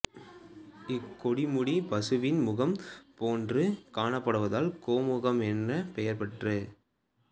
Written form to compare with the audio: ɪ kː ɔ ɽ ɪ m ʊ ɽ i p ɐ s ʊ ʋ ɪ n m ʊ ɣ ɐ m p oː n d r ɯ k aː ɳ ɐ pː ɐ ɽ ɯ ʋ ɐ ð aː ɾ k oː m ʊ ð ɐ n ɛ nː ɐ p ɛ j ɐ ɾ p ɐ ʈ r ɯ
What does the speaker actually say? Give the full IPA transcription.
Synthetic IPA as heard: ɪ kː ɔ ɽ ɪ m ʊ ɽ i p ɐ s ɯ ʋ ɪ n m ʊ ɣ ɐ m p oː n d r ɯ k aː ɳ ɐ pː ɐ ɽ ɯ ʋ ɐ ð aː l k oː m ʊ ɣ ɐ m ɛ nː ɐ p ɛ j ɐ ɾ p ɐ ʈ r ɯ